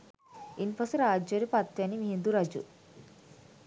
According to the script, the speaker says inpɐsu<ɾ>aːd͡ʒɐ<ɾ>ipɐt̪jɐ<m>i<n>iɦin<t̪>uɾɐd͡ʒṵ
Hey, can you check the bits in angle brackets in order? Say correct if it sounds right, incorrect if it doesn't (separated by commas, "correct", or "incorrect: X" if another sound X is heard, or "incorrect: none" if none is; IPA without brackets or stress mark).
correct, correct, incorrect: n, incorrect: m, incorrect: d̪